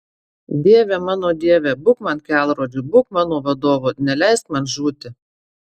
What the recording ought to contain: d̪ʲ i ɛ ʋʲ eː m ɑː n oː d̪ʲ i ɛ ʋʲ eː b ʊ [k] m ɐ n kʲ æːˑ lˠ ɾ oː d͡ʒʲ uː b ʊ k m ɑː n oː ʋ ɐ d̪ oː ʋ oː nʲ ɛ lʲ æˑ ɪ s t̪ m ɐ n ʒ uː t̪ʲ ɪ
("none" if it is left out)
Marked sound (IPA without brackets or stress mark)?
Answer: k